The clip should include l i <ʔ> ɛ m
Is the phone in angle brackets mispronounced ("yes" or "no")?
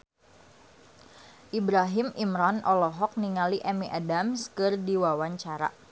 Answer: no